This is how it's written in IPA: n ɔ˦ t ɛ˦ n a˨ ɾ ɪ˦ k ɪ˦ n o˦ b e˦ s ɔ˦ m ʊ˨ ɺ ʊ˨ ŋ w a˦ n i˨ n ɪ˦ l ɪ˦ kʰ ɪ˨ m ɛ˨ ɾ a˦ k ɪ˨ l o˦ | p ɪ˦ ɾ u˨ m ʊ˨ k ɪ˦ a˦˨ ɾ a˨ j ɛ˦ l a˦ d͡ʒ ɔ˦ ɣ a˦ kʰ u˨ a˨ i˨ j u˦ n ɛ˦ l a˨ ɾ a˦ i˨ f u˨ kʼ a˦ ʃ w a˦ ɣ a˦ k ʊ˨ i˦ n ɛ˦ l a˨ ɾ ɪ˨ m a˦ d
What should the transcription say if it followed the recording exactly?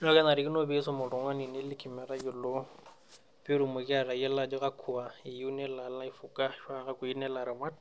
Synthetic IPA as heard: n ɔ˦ k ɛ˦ n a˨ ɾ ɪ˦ k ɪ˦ n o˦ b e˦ s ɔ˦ m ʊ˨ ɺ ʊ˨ ŋ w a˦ n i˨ n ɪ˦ l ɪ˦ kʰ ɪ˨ m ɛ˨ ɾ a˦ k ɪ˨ l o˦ | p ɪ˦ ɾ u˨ m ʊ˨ k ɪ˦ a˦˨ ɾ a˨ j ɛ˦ l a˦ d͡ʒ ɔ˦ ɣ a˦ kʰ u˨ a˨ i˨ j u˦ n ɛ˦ l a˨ l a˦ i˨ f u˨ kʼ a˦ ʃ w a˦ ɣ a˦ k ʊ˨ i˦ n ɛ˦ l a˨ ɾ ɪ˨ m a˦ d